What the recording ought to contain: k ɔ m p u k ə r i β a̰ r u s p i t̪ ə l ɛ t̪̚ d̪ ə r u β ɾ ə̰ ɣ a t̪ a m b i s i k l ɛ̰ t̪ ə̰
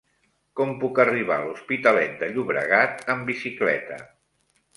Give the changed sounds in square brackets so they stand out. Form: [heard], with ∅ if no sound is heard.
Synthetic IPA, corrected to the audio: k ɔ m p u k ə r i β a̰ [l] u s p i t̪ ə l ɛ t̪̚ d̪ ə [ʎ] u β ɾ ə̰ ɣ a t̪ [ə] m b i s i k l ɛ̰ t̪ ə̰